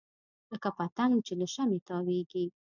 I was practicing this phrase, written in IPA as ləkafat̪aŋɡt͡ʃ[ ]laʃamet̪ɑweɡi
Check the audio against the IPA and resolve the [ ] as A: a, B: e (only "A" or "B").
B